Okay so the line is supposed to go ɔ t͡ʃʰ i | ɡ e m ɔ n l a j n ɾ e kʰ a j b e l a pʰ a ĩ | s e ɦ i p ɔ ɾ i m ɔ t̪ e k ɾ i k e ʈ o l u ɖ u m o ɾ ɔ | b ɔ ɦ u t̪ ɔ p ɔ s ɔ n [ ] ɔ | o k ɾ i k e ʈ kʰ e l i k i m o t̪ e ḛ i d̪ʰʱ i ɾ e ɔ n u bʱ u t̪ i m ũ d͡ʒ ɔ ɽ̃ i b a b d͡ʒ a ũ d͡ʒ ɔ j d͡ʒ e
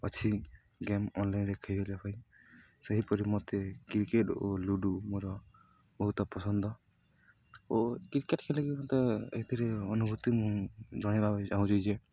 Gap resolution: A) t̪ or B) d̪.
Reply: B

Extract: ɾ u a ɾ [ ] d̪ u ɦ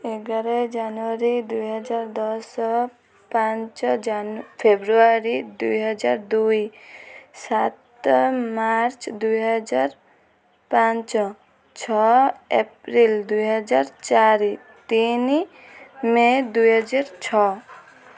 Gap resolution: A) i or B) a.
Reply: A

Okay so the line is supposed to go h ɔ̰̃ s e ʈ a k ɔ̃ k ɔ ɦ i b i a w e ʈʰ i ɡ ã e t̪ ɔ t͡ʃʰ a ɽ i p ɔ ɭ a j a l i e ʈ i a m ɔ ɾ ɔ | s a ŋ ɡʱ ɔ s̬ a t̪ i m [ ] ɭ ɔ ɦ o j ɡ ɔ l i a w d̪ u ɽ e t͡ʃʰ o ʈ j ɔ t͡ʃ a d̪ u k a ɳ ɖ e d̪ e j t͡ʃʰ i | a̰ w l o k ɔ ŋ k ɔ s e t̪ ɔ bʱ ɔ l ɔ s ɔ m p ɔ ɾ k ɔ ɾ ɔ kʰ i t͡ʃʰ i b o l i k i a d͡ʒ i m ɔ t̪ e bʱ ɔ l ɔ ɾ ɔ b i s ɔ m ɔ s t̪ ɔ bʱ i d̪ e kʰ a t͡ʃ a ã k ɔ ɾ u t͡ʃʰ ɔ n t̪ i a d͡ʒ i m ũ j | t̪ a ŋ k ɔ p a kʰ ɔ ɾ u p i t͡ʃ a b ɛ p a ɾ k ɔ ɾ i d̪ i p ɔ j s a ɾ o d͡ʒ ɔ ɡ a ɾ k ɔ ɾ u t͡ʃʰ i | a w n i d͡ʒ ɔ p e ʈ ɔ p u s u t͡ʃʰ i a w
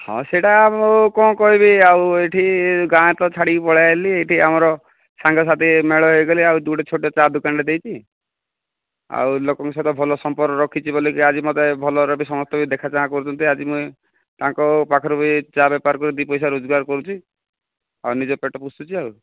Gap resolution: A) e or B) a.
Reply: A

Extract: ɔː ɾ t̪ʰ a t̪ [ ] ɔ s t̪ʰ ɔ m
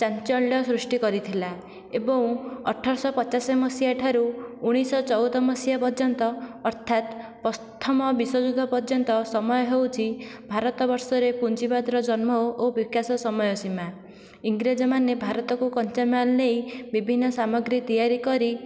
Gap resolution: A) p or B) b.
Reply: A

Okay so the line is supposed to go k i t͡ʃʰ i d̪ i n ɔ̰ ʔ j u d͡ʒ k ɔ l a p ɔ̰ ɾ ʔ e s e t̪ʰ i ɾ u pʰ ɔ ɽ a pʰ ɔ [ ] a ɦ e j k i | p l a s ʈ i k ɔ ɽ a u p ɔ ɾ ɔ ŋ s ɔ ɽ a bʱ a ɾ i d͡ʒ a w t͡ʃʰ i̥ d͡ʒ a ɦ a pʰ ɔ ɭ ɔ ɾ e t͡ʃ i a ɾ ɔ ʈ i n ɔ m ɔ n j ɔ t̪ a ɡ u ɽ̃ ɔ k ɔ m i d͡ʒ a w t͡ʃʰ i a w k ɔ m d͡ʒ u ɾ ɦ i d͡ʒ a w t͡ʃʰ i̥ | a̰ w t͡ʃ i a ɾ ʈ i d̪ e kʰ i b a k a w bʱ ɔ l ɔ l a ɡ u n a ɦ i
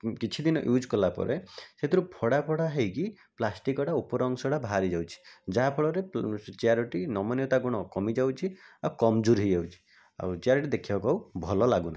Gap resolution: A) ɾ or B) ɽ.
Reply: B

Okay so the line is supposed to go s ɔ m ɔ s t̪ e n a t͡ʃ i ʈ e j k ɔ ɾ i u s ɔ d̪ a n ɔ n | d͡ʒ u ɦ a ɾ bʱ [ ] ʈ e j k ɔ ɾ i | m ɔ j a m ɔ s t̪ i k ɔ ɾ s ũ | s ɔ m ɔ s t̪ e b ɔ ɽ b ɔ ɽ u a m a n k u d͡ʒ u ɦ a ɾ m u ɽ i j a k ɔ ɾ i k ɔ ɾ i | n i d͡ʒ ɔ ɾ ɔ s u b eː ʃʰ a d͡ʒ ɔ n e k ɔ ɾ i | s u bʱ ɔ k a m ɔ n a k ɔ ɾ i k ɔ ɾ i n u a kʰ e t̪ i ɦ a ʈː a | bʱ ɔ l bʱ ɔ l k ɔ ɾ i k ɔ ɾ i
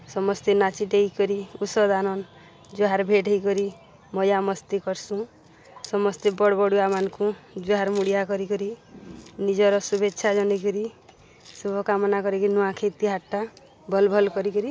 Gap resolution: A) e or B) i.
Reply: A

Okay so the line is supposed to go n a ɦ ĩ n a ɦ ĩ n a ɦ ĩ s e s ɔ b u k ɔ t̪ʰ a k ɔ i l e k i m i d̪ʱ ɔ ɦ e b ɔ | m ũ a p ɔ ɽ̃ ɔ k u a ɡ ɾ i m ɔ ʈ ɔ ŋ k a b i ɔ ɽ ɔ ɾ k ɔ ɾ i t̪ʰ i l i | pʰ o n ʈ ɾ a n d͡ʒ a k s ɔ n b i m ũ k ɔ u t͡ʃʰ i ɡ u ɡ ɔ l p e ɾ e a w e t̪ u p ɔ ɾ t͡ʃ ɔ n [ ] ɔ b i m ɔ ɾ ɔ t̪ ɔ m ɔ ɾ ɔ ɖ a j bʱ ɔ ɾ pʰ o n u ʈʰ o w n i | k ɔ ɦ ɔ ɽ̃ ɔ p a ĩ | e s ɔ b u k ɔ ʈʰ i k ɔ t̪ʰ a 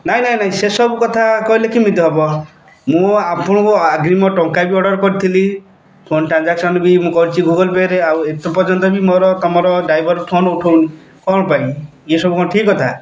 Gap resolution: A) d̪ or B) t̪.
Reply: B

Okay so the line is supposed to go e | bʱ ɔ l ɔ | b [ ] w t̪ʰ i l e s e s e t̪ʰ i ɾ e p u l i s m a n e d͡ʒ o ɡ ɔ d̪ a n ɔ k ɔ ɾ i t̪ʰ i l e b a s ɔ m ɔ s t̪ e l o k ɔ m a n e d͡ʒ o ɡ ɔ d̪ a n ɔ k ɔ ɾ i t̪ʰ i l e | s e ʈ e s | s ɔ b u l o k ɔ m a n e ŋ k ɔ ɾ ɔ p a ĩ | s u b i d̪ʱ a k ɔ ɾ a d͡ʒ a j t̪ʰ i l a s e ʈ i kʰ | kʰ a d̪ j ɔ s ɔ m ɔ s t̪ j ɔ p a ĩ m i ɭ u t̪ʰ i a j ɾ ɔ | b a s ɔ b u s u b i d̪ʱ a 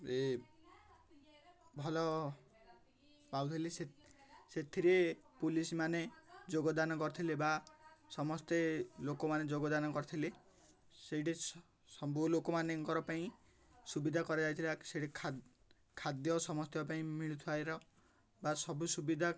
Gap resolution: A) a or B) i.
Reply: A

